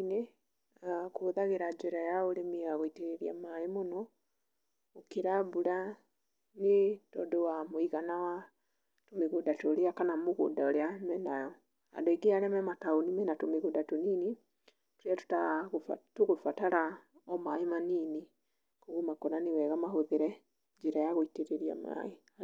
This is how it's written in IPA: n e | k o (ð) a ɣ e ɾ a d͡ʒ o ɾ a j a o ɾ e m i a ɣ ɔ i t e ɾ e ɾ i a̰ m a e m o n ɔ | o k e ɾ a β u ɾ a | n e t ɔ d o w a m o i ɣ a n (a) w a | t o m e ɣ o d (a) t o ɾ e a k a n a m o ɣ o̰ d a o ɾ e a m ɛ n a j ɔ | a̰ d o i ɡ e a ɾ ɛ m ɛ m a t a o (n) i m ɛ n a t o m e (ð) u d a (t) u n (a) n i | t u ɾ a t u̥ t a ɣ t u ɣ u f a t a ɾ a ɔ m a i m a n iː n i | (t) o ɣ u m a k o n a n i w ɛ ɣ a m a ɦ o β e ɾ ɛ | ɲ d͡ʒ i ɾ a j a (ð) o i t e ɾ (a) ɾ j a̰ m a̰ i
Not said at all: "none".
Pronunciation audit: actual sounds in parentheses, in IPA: ð, a, a, n, ɣ, t, i, k, ɣ, e

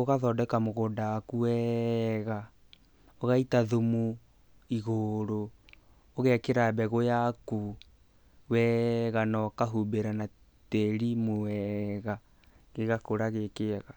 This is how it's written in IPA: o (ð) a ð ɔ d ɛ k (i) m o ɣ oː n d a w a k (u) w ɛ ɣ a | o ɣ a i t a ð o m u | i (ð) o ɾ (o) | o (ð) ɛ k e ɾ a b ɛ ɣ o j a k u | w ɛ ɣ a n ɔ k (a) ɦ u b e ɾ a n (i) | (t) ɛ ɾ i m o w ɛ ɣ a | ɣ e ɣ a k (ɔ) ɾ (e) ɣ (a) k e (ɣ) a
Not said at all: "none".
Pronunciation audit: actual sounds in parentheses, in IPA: ɣ, a, u, ɣ, o, ɣ, a, a, t, o, a, e, ɣ

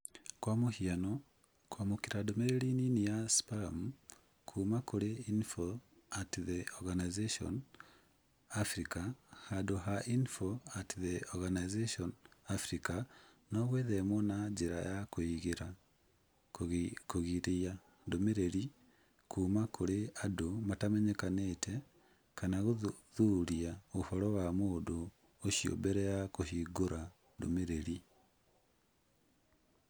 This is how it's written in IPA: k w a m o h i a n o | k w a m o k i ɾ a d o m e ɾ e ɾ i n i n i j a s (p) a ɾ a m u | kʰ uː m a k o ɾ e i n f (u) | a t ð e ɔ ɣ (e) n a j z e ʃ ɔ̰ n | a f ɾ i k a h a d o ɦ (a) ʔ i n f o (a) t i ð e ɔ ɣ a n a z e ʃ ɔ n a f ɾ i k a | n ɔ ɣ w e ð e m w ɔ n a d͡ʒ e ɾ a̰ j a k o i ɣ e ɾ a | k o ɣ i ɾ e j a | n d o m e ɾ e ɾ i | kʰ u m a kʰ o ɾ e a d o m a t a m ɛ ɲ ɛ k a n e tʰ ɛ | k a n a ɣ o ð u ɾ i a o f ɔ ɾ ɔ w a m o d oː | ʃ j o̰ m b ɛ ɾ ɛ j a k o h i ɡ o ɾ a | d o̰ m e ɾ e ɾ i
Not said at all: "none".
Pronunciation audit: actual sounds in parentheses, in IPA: p, o, a, a, a

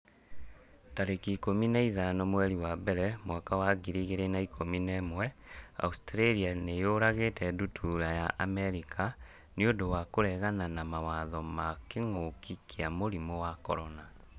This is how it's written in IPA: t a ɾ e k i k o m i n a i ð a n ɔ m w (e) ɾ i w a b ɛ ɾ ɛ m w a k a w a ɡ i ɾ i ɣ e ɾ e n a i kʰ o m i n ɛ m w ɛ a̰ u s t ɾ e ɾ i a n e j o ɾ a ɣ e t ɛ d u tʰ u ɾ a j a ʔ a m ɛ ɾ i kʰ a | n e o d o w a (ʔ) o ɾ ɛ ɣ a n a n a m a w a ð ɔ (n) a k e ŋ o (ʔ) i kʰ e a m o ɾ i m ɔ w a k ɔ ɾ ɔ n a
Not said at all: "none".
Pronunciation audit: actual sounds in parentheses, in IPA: ɛ, k, m, k

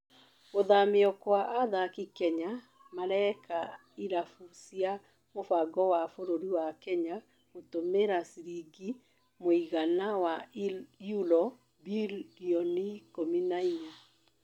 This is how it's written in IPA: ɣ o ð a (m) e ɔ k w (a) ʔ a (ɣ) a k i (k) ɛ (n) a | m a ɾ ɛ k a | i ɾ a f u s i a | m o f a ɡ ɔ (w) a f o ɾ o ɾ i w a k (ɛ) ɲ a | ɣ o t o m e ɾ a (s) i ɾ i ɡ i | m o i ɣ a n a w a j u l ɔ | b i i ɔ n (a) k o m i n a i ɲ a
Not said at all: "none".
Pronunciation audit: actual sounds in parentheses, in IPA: m, a, ð, k, ɲ, w, ɛ, s, i

